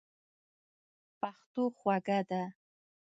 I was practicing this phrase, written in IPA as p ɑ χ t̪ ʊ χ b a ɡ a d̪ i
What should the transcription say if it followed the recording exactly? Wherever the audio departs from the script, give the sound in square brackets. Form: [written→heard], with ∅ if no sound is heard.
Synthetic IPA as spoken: p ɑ χ t̪ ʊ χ [b→w] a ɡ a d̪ [i→a]